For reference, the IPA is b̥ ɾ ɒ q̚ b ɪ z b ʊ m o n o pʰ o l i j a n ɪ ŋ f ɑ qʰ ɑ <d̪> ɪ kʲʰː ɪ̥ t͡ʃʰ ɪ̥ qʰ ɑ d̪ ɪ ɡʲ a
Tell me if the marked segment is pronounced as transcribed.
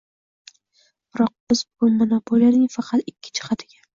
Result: no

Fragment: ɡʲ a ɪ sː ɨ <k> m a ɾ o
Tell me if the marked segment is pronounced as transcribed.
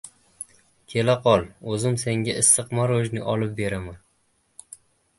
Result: no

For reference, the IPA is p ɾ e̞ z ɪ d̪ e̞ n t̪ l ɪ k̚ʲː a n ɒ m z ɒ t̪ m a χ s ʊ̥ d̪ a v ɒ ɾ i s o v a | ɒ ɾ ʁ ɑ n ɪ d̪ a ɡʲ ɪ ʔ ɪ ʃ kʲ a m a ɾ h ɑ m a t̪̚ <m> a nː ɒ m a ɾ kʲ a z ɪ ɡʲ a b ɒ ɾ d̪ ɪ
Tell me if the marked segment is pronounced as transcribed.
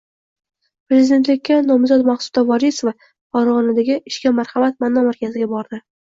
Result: yes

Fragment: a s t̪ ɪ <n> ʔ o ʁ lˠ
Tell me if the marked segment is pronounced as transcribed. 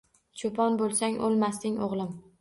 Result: no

